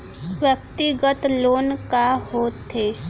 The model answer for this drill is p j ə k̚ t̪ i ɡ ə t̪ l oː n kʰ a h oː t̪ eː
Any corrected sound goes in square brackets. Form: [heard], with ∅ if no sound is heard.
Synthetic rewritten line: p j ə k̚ t̪ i ɡ ə t̪ l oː n [k] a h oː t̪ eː